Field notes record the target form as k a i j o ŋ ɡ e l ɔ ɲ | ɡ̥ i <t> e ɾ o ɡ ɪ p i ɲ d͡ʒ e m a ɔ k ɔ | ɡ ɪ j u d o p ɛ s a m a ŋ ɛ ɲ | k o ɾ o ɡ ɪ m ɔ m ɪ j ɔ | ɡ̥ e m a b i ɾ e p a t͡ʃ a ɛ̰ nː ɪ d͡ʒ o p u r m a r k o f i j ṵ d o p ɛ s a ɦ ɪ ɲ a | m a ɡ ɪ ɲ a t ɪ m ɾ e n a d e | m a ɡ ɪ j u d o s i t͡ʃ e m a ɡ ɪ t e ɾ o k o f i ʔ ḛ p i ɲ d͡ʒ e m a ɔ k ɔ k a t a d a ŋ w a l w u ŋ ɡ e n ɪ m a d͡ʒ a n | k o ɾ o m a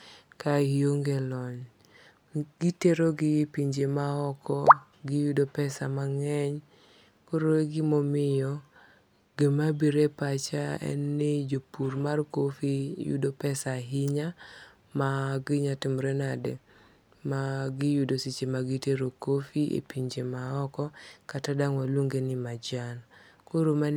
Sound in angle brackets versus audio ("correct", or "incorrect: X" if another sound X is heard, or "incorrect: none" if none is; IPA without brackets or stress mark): correct